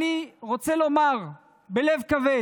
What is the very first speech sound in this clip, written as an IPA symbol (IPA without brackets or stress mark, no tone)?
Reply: i